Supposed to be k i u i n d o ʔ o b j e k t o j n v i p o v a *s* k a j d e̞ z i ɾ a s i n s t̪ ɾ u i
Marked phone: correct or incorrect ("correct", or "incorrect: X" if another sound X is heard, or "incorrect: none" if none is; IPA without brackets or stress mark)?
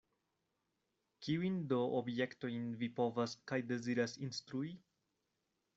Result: correct